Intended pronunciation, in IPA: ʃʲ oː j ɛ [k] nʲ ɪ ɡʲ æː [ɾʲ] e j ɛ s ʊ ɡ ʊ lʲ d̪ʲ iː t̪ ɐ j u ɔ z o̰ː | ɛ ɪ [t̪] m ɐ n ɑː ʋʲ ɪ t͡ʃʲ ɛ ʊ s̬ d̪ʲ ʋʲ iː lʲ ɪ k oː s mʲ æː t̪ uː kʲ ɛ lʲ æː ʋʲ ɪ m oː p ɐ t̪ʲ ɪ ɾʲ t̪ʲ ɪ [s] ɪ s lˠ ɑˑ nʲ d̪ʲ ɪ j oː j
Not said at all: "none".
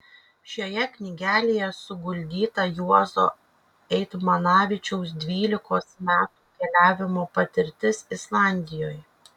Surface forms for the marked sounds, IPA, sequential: k, lʲ, t̪, s

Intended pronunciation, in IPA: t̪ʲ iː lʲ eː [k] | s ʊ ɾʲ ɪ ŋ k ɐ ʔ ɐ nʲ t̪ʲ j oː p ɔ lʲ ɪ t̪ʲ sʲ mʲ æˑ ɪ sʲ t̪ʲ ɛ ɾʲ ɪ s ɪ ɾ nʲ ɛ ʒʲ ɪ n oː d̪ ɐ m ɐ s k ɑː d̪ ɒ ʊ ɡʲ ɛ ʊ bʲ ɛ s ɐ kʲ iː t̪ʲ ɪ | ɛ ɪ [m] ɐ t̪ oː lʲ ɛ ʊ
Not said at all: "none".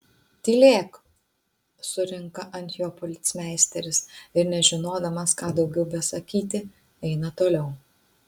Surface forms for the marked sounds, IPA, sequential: k, n

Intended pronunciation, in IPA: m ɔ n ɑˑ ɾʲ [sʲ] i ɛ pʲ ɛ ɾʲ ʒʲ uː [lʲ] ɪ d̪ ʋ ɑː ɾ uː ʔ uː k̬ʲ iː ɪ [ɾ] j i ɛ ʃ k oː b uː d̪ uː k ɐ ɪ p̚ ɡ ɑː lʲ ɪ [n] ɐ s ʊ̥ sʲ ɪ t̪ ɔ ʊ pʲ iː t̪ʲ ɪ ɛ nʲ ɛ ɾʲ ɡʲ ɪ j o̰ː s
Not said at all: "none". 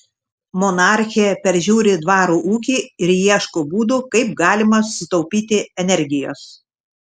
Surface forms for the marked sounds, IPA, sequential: xʲ, ɾʲ, ɾ, m

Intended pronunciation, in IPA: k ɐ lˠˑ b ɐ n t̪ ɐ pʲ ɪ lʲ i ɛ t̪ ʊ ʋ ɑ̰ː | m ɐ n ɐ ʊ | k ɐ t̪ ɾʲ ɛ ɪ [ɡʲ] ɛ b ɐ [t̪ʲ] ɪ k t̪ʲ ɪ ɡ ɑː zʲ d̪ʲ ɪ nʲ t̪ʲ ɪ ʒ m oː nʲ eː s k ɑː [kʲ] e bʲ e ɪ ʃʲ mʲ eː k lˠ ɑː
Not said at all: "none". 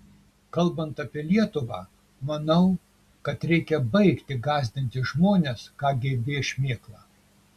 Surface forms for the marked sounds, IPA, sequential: kʲ, none, ɡʲ

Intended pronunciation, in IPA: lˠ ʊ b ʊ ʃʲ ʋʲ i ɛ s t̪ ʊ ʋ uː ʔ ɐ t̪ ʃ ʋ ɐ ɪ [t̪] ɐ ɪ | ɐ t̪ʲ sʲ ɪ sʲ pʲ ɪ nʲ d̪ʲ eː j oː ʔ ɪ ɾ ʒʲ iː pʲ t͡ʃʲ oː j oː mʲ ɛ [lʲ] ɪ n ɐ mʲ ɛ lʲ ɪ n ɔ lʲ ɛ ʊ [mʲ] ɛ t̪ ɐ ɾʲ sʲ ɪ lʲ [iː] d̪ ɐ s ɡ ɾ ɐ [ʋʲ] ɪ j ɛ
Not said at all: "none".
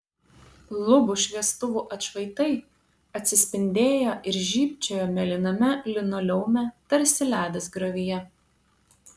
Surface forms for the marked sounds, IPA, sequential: t̪, lʲ, mʲ, æː, ʋʲ

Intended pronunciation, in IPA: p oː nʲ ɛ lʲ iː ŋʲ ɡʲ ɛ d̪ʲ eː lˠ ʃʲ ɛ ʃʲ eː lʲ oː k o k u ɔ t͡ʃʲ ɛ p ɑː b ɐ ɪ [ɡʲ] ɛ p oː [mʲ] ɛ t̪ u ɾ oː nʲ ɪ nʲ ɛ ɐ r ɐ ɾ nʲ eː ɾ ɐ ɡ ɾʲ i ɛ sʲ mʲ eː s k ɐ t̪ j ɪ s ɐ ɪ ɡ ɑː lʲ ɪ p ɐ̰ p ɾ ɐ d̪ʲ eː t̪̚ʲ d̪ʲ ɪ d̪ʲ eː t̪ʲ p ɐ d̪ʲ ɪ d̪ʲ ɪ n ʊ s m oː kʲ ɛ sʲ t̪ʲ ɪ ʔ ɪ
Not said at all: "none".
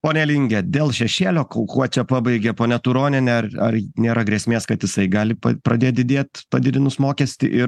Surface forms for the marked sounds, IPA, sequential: ɡʲ, nʲ

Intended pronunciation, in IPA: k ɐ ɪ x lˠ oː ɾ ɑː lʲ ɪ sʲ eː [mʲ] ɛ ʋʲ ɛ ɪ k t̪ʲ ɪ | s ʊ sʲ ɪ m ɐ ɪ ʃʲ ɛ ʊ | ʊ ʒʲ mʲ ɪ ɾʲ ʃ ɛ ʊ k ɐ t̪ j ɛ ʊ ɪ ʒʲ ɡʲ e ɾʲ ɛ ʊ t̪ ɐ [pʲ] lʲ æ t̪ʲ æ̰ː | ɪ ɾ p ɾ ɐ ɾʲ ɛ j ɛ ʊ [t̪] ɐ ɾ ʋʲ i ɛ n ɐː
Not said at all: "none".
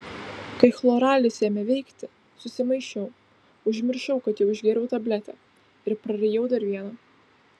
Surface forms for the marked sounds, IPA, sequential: mʲ, bʲ, d̪

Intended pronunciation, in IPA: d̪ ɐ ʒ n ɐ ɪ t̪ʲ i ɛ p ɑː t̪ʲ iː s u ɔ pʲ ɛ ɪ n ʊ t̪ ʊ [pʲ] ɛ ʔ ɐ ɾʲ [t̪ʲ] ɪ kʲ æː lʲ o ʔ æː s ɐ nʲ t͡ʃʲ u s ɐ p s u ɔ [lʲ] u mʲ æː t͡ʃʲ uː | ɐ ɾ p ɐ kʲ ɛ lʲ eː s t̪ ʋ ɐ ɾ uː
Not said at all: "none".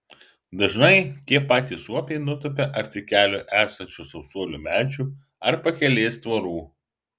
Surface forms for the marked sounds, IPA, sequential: pʲ, t̪ʲ, lʲ

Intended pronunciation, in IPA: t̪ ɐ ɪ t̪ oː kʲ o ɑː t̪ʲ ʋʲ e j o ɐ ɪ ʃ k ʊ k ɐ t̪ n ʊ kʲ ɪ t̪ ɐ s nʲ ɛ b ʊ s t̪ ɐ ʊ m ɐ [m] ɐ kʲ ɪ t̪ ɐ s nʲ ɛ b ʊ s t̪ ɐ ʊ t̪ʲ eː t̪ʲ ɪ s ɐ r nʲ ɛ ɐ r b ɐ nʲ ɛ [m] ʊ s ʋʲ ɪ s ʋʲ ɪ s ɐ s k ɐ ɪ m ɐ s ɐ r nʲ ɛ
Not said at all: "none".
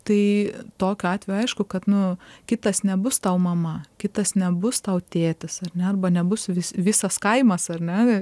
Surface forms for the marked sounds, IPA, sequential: m, b

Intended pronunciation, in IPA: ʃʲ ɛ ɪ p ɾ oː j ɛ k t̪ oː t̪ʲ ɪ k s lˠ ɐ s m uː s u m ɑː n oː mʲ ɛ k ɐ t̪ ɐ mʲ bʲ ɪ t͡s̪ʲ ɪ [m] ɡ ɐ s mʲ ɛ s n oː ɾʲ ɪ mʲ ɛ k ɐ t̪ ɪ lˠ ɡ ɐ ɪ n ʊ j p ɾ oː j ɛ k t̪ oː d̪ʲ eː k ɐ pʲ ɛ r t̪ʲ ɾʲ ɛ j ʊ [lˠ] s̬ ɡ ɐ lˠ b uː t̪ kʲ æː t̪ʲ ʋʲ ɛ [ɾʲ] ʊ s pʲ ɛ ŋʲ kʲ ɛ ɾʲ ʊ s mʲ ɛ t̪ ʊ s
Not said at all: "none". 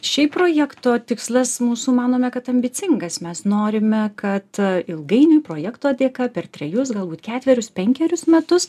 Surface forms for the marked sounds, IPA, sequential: ŋ, none, ɾʲ

